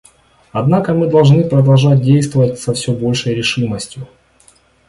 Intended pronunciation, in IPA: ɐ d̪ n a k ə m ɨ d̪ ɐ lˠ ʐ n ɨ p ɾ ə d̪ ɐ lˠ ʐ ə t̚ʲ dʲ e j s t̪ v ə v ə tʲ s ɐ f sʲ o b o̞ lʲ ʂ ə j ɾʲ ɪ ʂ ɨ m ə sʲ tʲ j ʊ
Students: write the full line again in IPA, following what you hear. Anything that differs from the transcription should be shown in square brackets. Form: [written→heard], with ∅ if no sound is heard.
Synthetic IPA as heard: ɐ d̪ n a k ə m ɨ d̪ ɐ lˠ ʐ n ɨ p ɾ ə d̪ ɐ lˠ ʐ [ə→a] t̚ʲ dʲ e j s t̪ v ə v ə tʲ s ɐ f sʲ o b o̞ lʲ ʂ ə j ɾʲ ɪ ʂ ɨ m ə sʲ tʲ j ʊ